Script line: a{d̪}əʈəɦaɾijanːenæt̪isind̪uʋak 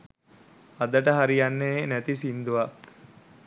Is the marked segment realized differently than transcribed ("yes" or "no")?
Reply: no